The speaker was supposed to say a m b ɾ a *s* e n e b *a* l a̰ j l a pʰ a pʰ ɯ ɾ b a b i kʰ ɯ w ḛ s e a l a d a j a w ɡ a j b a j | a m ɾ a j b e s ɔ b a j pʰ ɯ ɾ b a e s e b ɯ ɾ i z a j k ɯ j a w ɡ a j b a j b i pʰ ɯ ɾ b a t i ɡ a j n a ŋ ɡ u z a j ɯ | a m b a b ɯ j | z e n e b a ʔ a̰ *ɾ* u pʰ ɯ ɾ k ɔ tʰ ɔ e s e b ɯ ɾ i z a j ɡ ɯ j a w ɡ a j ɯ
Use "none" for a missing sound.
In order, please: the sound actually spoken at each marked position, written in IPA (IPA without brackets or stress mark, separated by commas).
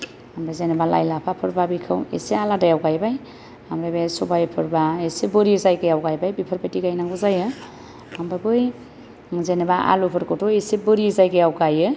z, a, l